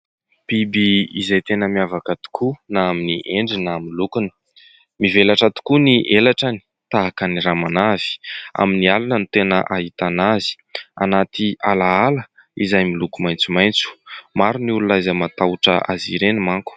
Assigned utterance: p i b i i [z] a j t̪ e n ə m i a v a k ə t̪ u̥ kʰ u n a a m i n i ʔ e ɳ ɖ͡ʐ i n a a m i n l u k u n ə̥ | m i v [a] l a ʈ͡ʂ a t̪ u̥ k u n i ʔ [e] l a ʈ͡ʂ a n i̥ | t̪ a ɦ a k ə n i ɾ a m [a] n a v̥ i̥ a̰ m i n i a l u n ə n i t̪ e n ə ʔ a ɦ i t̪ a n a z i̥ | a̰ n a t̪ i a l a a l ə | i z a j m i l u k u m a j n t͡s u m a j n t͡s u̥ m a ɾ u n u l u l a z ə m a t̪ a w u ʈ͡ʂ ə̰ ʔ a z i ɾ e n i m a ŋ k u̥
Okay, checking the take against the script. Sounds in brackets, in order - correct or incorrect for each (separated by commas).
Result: correct, incorrect, correct, correct